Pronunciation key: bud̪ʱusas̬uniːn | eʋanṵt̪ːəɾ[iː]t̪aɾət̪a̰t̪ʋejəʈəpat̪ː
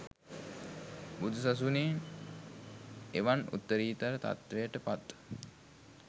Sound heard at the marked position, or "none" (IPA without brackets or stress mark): iː